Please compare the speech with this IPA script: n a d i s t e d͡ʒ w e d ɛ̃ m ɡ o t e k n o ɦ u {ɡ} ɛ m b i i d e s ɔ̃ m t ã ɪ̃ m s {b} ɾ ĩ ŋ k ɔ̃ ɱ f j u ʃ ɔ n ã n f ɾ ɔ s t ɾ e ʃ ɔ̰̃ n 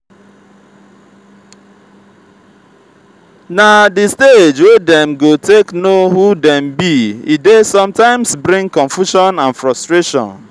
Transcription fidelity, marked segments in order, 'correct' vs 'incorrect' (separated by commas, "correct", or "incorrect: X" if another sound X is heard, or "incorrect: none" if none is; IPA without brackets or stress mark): incorrect: d, correct